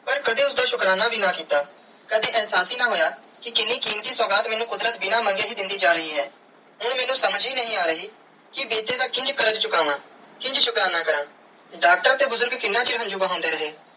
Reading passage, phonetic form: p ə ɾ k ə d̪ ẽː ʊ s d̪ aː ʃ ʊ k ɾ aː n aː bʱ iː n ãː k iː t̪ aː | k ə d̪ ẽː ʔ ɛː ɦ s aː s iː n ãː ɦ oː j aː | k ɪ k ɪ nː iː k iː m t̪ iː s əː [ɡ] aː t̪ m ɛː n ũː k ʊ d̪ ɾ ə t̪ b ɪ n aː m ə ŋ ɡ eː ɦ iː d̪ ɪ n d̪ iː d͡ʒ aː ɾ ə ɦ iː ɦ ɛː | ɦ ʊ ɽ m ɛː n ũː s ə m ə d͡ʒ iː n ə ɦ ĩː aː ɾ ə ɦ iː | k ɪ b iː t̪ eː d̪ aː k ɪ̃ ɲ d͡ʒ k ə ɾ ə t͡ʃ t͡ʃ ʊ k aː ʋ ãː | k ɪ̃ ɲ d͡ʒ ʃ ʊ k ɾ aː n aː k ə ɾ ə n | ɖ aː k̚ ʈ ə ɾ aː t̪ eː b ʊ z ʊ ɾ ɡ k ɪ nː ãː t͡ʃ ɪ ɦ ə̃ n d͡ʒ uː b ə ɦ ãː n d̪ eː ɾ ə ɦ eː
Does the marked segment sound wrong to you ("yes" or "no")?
no